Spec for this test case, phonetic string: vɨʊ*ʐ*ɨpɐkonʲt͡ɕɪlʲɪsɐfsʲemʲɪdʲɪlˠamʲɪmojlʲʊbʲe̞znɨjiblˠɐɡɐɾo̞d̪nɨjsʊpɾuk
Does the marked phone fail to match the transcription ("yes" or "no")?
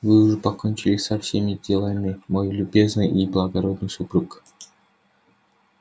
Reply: no